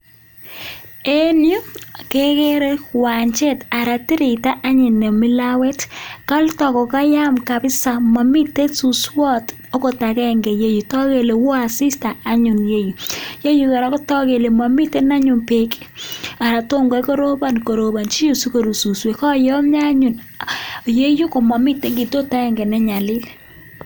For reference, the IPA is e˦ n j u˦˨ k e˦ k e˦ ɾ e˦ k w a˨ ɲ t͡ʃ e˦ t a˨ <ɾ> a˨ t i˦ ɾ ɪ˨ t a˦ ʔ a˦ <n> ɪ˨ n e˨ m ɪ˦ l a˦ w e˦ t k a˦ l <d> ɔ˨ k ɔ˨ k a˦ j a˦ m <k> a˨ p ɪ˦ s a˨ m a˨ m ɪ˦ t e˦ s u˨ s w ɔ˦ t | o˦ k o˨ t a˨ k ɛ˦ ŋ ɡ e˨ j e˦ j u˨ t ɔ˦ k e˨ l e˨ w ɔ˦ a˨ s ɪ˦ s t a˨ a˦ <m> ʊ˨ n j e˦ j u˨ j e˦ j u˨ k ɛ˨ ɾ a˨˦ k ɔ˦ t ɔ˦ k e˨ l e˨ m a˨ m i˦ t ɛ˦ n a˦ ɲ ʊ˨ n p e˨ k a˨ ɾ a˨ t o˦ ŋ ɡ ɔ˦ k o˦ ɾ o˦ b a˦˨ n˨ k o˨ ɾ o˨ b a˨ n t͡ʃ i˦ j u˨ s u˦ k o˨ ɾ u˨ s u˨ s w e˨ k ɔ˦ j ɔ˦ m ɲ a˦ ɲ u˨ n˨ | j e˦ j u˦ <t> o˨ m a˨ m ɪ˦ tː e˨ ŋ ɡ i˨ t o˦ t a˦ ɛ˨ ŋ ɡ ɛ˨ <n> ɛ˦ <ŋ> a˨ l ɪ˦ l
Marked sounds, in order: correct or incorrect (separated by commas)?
correct, incorrect, incorrect, correct, incorrect, incorrect, correct, incorrect